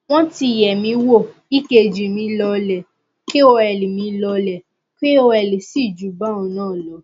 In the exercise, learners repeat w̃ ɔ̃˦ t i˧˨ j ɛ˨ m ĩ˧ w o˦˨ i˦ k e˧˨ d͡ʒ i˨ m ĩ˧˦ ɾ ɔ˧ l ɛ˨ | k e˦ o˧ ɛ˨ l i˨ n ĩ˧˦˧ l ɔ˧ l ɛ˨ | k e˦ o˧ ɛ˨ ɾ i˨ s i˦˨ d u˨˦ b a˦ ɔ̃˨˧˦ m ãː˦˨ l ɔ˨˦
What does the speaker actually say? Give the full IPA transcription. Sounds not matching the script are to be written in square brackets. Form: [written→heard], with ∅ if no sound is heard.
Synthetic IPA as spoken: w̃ ɔ̃˦ t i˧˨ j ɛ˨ m ĩ˧ w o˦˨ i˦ k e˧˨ d͡ʒ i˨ m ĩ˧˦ [ɾ→l] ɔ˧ l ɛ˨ | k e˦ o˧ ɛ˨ l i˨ [n→m] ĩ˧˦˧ l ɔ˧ l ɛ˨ | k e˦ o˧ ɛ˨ [ɾ→l] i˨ s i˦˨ [d→d͡ʒ] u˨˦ b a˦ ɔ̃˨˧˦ [m→n] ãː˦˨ l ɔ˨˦